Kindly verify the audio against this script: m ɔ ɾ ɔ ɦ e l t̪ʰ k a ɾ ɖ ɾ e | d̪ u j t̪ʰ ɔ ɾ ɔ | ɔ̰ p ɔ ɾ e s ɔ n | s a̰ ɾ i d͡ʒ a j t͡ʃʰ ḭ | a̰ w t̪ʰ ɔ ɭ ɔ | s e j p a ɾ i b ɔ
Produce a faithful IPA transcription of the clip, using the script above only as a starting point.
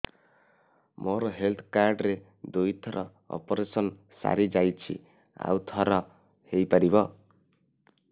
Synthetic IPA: m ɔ ɾ ɔ ɦ e l t̪ʰ k a ɾ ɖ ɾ e | d̪ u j t̪ʰ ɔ ɾ ɔ | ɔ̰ p ɔ ɾ e s ɔ n | s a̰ ɾ i d͡ʒ a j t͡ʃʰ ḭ | a̰ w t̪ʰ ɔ ɾ ɔ | h e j p a ɾ i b ɔ